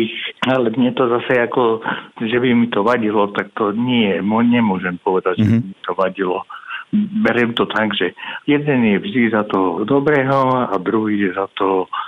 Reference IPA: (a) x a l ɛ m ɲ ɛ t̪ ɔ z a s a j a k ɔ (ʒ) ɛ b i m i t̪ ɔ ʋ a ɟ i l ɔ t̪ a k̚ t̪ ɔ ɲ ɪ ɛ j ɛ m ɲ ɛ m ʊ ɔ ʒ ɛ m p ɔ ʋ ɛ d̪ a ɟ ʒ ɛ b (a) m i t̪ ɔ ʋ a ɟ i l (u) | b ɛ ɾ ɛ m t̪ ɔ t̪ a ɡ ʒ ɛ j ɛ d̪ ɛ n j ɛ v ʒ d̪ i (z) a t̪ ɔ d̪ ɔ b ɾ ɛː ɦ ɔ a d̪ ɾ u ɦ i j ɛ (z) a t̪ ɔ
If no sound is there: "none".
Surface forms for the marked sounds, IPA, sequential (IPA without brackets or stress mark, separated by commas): i, ʒ, i, ɔ, z, z